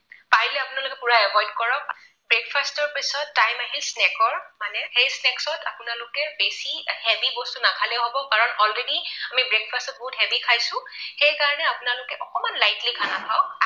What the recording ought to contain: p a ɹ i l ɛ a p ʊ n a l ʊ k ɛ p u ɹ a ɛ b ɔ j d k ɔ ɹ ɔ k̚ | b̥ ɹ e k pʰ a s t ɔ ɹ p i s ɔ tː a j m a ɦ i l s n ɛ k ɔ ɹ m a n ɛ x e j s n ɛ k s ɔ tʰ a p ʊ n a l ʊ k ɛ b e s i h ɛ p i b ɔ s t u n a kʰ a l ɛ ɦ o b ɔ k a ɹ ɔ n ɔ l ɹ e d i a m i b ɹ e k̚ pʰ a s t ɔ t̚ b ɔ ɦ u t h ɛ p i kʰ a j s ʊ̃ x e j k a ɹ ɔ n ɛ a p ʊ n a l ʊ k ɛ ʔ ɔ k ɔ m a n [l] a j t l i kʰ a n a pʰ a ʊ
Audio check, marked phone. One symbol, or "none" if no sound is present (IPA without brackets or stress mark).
l